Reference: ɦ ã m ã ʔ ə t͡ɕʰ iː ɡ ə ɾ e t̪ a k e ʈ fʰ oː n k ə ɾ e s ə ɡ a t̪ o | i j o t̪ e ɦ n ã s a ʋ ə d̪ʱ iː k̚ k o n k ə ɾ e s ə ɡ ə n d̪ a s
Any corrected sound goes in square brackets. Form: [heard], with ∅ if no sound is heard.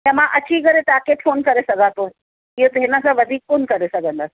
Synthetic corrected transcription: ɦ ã m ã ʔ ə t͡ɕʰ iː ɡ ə ɾ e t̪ a k e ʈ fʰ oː n k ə ɾ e s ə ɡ a t̪ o | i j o t̪ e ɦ n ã s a ʋ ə d̪ʱ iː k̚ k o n k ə ɾ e s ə ɡ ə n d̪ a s